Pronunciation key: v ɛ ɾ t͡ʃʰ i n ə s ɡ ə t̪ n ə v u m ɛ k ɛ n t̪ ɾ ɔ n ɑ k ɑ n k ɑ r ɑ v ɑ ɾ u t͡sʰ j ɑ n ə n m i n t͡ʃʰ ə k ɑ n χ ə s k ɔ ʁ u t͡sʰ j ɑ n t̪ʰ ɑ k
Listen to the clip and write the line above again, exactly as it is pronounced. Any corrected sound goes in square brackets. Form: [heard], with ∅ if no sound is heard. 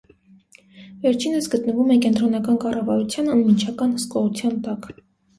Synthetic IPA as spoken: v ɛ ɾ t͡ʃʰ i n ə s ɡ ə t̪ n ə v u m ɛ k ɛ n t̪ ɾ ɔ n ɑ k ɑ n k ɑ r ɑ v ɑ ɾ u t͡sʰ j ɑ n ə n m i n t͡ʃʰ [ɑ] k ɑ n [h] ə s k ɔ ʁ u t͡sʰ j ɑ n [t̪] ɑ k

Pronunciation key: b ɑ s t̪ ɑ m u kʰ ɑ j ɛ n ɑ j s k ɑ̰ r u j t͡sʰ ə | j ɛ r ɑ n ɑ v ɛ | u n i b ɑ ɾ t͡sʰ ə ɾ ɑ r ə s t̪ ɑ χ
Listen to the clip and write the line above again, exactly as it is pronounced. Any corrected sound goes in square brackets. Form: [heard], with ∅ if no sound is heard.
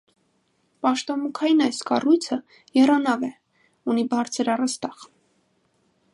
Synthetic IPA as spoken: [p] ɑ [ʃ] t̪ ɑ m u kʰ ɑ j [i] n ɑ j s k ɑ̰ r u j t͡sʰ ə | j ɛ r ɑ n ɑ v ɛ | u n i b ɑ ɾ t͡sʰ ə ɾ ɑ r ə s t̪ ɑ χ

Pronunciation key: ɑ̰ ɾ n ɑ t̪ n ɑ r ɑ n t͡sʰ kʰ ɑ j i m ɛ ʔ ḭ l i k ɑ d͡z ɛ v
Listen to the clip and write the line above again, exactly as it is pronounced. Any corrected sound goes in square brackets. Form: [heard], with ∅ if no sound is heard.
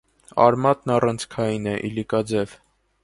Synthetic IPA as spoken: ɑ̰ ɾ [m] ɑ t̪ n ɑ r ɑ n t͡sʰ kʰ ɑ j i [n] ɛ ʔ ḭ l i k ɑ d͡z ɛ v

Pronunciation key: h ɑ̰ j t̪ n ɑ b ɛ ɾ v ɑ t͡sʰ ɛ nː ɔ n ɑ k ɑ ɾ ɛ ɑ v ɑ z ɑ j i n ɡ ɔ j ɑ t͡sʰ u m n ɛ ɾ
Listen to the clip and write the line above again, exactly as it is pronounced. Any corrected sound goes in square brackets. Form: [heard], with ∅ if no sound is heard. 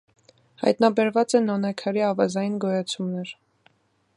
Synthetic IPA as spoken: h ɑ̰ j t̪ n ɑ b ɛ ɾ v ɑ [t͡s] ɛ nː ɔ n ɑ [kʰ] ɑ ɾ [i] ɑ v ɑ z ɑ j i n ɡ ɔ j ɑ t͡sʰ u m n ɛ ɾ

